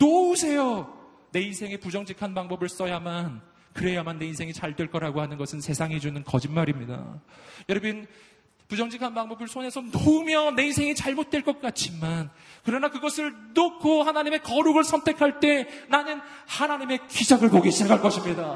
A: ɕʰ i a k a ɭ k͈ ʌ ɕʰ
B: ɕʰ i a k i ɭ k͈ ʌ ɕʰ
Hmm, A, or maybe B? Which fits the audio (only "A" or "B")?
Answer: A